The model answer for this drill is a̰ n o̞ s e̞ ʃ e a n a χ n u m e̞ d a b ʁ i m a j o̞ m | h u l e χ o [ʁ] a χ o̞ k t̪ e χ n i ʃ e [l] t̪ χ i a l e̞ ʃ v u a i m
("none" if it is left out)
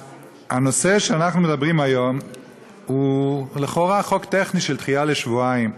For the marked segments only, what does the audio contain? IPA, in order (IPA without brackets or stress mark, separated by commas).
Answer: ʁ, l